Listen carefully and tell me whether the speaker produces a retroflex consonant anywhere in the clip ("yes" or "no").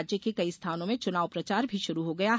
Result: no